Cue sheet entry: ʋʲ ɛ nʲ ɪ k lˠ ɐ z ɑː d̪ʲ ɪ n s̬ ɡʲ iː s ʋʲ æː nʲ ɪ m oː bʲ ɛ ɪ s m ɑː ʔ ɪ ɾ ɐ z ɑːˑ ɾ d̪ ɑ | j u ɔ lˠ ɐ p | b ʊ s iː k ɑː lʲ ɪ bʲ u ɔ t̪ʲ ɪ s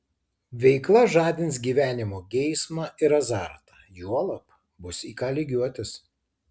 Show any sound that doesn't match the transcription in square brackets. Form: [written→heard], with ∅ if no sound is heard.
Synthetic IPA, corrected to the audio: ʋʲ ɛ [nʲ→∅] ɪ k lˠ ɐ [z→ʒ] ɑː d̪ʲ ɪ n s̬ ɡʲ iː [s→∅] ʋʲ æː nʲ ɪ m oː [bʲ→ɡʲ] ɛ ɪ s m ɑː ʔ ɪ ɾ ɐ z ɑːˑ ɾ [d̪→t̪] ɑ | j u ɔ lˠ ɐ p | b ʊ s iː k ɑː lʲ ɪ [bʲ→ɡʲ] u ɔ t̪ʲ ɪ s